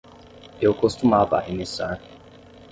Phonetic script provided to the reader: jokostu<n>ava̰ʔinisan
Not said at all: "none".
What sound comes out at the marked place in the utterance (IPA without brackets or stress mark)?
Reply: m